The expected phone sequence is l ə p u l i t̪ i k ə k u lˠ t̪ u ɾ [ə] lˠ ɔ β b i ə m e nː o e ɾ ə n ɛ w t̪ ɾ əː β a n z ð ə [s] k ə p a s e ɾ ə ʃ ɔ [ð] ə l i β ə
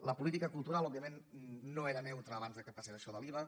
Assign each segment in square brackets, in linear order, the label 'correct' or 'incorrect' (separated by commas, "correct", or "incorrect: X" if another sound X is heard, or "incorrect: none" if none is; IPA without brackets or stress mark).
incorrect: a, incorrect: none, correct